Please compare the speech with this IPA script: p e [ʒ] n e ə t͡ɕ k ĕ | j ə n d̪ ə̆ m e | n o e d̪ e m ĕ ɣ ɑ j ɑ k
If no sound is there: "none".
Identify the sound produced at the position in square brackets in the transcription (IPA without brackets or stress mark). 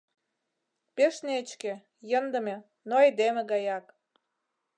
ʃ